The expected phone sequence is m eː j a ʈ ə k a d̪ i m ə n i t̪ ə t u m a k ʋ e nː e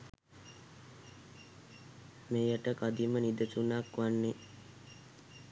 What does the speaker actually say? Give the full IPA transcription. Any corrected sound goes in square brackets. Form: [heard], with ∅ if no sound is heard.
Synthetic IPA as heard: m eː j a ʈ ə k a d̪ i m ə n i [d̪] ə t u [n] a k ʋ [a] nː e

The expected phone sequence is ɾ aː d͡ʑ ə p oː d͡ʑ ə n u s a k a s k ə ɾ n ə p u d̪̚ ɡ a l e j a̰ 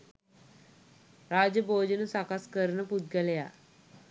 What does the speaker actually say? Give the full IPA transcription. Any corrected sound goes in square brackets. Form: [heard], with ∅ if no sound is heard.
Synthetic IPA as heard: ɾ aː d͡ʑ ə [b] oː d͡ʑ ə n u s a k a s k ə ɾ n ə p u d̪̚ ɡ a l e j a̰

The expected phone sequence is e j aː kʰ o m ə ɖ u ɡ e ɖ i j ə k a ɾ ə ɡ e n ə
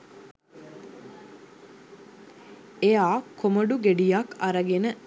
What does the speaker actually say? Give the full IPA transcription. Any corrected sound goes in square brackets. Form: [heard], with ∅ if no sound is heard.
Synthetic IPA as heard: e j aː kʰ o m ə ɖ u ɡ e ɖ i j [a] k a ɾ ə ɡ e n ə

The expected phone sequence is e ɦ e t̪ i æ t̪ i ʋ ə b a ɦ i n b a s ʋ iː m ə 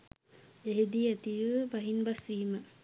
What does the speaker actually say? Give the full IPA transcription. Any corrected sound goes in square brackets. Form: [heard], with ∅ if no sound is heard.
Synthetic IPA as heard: e ɦ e [d̪] i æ t̪ i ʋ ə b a ɦ i n b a s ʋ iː m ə

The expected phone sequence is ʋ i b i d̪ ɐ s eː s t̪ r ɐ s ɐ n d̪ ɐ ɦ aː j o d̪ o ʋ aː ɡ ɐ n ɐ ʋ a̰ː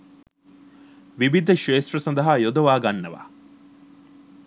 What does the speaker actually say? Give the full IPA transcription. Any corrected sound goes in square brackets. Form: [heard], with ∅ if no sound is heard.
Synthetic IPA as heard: ʋ i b i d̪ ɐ [ʃ] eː s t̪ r ɐ s ɐ n d̪ ɐ ɦ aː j o d̪ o ʋ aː ɡ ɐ [nː] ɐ ʋ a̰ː

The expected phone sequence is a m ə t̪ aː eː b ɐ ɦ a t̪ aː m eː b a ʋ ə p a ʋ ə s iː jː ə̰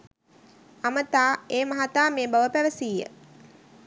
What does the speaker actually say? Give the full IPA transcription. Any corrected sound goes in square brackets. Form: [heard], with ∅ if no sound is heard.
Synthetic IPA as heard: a m ə t̪ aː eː [m] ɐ ɦ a t̪ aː m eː b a ʋ ə p [æ] ʋ ə s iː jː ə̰

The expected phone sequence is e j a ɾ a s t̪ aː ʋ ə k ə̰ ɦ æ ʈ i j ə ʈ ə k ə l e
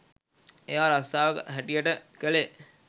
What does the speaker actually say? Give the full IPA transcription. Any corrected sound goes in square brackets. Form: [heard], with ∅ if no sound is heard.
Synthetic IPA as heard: e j a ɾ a s t̪ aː ʋ ə k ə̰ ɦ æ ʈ i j ə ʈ ə k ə l e

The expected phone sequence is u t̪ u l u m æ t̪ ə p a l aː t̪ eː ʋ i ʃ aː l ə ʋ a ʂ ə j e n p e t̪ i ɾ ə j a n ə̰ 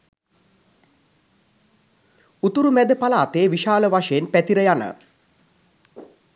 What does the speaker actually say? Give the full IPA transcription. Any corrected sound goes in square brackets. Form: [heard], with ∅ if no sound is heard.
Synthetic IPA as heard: u t̪ u [ɾ] u m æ [d̪] ə p a l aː t̪ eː ʋ i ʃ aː l ə ʋ a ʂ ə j e n p [æ] t̪ i ɾ ə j a n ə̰

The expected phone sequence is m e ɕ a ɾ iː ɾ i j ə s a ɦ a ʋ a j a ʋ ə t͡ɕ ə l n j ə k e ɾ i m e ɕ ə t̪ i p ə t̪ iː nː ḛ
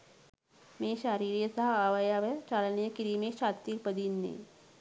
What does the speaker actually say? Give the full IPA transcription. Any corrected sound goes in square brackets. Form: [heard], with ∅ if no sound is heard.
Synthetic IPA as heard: m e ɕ a ɾ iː ɾ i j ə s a ɦ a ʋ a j a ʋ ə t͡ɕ [a] l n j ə k [i] ɾ i m e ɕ [a] t̪ i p ə [d̪] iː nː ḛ

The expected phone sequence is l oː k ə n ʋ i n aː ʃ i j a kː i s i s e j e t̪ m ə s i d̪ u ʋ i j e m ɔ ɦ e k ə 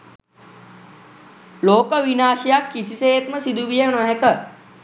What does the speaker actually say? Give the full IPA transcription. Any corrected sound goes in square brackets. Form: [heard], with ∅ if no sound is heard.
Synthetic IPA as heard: l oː k ə [∅] ʋ i n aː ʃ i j a kː i s i s e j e t̪ m ə s i d̪ u ʋ i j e [n] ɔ ɦ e k ə

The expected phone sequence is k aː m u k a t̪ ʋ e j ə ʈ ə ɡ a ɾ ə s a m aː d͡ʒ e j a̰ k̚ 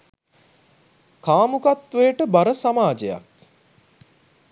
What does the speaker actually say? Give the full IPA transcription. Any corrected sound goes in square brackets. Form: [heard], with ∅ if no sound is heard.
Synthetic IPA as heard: k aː m u k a t̪ ʋ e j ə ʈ ə [b] a ɾ ə s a m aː d͡ʒ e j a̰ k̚

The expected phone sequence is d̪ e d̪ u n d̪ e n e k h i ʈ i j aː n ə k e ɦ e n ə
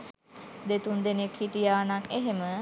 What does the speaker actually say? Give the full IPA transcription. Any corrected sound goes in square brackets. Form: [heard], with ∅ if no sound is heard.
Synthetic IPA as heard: d̪ e [t̪] u n d̪ e n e k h i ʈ i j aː n [a] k e ɦ e [m] ə

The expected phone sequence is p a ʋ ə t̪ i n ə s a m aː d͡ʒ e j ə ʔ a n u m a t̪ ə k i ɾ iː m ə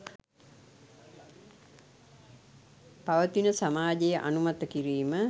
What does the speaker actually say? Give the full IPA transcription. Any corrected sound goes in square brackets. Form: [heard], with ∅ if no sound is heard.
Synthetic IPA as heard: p a ʋ ə t̪ i n ə s a m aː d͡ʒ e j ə ʔ a n u m a t̪ ə k i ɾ iː m ə

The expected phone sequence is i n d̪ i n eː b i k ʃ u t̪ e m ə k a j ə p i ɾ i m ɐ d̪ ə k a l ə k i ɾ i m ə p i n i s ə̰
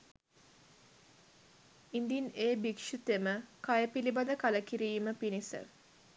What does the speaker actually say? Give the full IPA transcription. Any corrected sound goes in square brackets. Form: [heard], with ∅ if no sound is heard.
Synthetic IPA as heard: i n d̪ i n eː b i k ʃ u t̪ e m ə k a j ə p i [l] i [b] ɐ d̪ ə k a l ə k i ɾ [iː] m ə p i n i s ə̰

